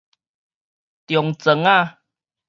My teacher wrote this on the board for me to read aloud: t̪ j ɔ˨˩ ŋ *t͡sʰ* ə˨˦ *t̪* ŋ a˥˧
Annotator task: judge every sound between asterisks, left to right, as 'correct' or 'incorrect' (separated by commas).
incorrect, incorrect